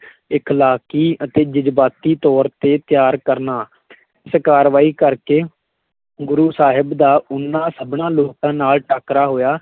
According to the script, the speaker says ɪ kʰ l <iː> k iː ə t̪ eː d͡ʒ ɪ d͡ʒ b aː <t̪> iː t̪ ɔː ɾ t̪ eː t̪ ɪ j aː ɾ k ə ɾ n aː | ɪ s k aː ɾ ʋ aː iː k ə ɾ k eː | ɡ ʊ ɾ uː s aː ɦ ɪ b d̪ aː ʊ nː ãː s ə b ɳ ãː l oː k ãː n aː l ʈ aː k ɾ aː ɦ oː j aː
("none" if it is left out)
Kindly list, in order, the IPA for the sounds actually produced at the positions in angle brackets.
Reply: aː, t̪

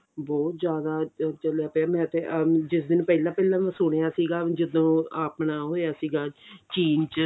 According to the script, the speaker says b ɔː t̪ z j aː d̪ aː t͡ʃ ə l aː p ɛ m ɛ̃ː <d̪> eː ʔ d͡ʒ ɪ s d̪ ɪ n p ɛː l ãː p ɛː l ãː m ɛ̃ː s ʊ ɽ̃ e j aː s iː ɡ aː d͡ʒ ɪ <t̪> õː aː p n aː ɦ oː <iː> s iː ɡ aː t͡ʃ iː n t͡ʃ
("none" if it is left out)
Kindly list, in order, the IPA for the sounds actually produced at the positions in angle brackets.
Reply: t̪, d̪, aː

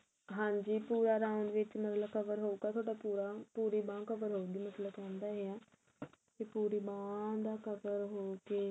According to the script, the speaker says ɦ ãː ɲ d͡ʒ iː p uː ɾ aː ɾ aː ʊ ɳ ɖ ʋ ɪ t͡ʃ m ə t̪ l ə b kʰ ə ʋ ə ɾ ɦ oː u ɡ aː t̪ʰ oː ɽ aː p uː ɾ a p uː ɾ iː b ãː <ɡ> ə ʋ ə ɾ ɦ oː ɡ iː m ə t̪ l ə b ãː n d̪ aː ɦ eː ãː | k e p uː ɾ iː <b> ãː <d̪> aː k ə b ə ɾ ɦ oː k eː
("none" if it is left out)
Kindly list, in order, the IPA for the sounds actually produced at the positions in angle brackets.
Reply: k, b, d̪

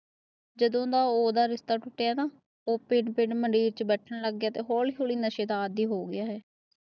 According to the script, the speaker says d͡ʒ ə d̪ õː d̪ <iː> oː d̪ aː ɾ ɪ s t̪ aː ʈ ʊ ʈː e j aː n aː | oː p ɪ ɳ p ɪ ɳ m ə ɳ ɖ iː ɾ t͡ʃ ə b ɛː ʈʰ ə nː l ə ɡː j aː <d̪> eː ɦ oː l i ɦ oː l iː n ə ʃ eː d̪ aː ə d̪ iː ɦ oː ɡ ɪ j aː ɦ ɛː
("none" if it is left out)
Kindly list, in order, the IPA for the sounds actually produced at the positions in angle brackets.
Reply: aː, t̪

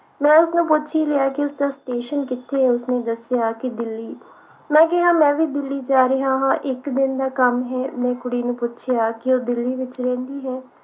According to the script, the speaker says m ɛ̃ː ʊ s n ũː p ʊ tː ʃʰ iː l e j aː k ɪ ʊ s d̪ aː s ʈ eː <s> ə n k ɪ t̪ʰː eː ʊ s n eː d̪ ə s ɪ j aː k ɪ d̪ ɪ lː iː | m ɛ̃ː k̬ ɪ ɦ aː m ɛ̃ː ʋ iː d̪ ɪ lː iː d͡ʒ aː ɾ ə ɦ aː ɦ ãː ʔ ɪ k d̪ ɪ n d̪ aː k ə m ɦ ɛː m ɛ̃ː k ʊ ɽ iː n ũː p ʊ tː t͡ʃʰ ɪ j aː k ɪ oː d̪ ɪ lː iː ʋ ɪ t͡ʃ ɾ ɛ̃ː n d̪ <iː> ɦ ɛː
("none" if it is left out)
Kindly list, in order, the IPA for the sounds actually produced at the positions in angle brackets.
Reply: ʃ, iː

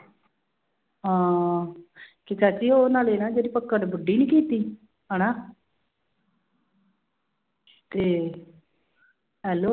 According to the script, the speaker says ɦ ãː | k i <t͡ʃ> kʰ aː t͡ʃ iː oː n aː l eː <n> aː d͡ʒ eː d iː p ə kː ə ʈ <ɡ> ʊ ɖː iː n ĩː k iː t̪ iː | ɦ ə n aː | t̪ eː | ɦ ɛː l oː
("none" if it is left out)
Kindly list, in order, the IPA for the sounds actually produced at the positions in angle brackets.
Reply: none, n, b

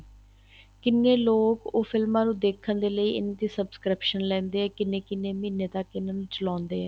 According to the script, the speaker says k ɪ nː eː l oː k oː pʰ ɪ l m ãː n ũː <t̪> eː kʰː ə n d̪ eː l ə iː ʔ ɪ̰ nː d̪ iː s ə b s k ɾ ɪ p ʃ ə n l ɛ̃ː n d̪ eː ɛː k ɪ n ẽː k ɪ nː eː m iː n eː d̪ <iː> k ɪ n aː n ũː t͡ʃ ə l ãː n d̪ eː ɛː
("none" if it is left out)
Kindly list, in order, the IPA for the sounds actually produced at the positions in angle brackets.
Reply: d̪, aː

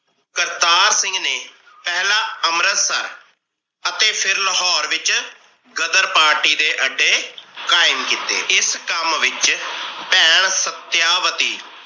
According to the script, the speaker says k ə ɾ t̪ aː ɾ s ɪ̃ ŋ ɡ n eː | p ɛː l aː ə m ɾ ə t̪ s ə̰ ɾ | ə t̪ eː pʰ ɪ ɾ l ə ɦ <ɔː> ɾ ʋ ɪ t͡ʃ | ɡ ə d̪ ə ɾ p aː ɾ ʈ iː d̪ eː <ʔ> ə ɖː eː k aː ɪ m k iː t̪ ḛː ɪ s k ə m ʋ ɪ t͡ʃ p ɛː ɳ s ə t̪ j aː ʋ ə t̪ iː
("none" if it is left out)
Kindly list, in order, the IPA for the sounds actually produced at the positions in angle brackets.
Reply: ɔː, ʔ

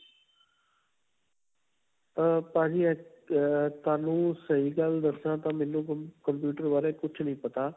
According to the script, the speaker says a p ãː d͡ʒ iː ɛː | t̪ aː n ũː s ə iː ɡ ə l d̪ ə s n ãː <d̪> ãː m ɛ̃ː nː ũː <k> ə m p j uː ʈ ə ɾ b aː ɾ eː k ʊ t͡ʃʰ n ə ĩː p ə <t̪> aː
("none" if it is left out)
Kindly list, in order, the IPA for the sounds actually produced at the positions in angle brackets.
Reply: t̪, k, t̪

